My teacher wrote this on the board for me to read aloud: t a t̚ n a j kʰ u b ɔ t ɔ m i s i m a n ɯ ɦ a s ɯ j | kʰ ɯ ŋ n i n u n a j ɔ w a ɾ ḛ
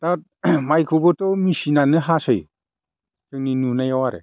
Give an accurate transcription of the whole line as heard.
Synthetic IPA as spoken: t a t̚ m a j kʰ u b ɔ t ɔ m i s i n a n ɯ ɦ a s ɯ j | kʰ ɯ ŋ n i n u n a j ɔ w a ɾ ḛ